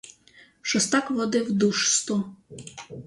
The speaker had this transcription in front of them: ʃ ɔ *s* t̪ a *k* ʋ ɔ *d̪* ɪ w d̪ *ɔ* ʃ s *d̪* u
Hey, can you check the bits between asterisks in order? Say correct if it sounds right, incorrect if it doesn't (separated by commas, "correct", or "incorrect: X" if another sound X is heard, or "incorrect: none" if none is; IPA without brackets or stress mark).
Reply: correct, correct, correct, incorrect: u, incorrect: t̪